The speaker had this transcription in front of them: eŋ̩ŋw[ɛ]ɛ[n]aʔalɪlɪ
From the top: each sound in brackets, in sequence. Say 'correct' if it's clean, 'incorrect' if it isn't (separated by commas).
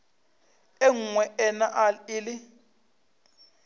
correct, correct